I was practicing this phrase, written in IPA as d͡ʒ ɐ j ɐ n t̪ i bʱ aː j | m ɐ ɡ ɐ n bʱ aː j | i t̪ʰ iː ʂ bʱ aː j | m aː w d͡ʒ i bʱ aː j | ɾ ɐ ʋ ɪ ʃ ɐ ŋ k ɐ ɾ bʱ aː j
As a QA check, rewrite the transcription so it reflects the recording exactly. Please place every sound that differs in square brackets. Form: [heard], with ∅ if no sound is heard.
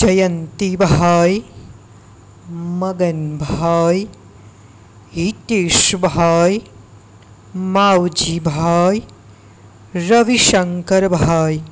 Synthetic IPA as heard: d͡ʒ ɐ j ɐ n t̪ i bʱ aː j | m ɐ ɡ ɐ n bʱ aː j | i [t̪] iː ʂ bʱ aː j | m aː w d͡ʒ i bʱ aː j | ɾ ɐ ʋ [i] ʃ ɐ ŋ k ɐ ɾ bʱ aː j